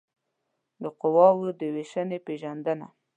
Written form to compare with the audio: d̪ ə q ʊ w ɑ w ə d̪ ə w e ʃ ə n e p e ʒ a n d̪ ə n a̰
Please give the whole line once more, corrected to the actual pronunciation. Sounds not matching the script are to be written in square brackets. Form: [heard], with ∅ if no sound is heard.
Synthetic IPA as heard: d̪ ə q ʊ w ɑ w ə d̪ ə w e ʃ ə n e p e ʒ a n d̪ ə n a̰